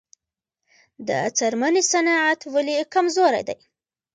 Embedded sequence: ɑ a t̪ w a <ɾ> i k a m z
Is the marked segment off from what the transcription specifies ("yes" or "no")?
yes